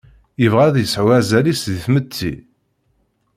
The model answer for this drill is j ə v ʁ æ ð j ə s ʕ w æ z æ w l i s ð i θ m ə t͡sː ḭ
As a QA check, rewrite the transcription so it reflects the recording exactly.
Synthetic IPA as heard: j ə v ʁ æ ð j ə s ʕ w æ z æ l i s ð i θ m ə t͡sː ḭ